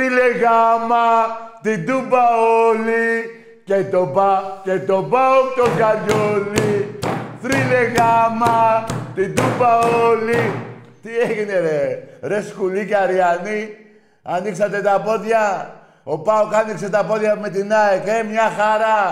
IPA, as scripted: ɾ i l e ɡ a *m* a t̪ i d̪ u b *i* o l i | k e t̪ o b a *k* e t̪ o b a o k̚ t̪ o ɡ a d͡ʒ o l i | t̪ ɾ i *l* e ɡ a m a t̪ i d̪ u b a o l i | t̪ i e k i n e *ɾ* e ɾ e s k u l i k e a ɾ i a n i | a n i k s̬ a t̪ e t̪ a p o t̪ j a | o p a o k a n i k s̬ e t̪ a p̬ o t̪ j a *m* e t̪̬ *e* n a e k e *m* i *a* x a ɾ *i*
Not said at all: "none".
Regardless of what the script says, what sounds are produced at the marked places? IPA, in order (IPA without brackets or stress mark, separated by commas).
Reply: m, a, k, l, ɾ, m, i, m, a, a